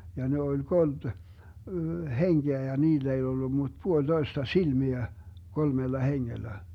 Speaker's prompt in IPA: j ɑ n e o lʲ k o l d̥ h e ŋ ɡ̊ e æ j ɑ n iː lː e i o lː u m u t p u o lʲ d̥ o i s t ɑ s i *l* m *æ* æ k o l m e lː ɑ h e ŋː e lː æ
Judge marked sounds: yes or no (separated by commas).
yes, no